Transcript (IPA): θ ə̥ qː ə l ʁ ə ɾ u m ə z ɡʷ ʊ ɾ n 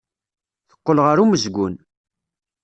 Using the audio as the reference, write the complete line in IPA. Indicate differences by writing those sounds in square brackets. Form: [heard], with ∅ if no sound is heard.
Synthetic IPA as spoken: θ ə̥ qː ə l ʁ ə ɾ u m ə z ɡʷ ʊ [∅] n